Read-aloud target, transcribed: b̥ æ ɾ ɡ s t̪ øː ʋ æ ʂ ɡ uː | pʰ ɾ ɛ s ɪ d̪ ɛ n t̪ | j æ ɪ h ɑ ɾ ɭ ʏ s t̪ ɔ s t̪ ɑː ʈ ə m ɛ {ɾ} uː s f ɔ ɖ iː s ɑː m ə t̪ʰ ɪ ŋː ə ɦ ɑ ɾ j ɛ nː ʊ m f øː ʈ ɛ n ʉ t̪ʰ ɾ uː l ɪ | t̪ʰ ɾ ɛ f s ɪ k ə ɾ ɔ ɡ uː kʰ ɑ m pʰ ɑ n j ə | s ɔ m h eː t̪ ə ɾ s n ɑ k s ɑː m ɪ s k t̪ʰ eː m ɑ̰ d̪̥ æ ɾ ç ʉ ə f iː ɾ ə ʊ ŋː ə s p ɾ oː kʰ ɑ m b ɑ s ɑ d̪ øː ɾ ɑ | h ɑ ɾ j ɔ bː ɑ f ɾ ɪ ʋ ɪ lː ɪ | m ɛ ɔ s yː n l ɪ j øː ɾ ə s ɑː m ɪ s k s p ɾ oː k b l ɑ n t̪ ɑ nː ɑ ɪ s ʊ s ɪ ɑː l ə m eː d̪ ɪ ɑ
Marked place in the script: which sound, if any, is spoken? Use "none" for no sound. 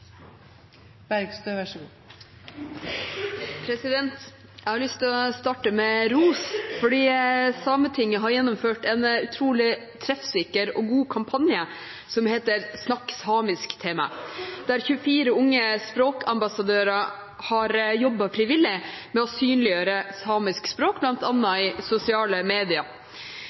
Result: ɾ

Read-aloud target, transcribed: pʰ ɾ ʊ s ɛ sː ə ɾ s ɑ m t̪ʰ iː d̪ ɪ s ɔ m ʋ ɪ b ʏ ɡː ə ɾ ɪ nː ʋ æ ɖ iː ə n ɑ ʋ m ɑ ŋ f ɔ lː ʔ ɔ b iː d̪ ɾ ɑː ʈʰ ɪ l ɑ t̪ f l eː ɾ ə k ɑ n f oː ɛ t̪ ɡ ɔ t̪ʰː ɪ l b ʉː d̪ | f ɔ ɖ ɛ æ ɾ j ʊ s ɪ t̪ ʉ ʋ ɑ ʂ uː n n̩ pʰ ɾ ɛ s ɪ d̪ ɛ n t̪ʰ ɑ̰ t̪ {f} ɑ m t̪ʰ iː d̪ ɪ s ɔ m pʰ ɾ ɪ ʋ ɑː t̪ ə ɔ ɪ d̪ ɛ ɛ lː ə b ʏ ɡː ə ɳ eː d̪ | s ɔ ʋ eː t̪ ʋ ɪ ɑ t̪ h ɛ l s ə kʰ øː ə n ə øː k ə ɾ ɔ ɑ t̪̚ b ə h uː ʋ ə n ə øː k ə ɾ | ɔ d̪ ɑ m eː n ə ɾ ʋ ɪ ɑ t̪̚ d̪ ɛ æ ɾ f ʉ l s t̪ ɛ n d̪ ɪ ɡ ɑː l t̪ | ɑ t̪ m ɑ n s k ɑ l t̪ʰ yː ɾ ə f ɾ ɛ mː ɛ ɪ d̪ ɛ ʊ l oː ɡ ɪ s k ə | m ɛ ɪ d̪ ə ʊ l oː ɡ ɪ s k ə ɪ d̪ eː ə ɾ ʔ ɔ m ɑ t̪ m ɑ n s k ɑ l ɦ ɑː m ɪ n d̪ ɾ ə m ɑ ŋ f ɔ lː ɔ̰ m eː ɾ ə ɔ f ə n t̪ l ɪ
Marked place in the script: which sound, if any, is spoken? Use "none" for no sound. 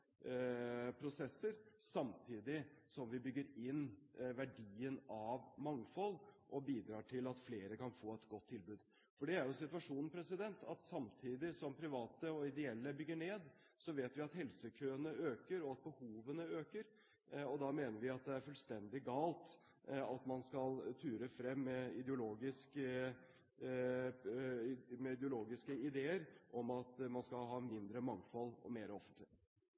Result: s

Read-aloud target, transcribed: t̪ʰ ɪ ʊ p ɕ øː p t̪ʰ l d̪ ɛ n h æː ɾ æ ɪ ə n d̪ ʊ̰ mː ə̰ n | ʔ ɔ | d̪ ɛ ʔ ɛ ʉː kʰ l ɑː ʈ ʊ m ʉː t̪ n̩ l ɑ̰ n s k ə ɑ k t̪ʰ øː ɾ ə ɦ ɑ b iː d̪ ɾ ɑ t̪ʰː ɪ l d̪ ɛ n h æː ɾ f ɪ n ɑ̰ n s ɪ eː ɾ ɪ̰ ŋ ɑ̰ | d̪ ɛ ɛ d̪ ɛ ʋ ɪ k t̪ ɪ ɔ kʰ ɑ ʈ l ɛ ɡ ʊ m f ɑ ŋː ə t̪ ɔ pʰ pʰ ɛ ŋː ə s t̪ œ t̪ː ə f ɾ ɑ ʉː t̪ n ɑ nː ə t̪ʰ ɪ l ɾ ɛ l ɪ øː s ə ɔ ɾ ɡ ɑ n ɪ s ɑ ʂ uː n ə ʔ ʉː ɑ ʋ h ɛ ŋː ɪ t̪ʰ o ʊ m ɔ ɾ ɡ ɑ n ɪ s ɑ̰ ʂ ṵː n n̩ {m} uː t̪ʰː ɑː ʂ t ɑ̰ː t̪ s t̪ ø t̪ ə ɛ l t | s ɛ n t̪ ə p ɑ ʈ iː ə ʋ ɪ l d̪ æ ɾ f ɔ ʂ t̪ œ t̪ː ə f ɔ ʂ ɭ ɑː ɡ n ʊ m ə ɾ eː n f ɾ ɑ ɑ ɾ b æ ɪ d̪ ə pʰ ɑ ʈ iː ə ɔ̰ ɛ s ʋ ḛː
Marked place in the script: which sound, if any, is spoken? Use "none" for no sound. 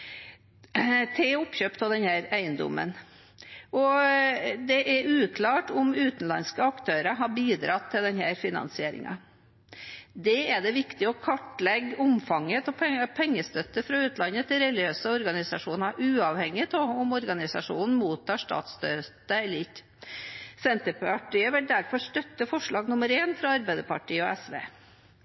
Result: m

